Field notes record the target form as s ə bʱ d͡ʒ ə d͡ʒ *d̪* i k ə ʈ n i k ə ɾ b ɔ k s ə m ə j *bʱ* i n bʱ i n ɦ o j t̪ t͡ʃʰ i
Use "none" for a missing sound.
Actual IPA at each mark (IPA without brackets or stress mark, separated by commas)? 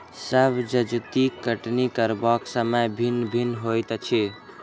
t̪, bʱ